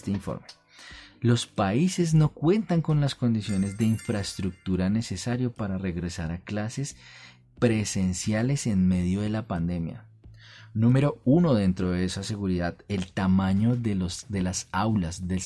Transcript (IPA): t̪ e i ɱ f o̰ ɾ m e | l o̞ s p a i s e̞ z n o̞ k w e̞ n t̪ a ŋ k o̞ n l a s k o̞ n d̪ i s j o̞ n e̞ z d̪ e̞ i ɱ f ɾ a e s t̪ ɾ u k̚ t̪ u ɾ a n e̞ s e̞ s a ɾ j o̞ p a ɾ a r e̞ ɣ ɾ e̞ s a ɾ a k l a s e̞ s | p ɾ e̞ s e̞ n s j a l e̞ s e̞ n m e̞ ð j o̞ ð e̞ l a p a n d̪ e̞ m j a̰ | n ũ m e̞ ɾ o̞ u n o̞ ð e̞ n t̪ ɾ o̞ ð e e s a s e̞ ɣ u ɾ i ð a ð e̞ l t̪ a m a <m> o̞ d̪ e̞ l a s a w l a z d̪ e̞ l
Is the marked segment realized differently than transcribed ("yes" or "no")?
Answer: yes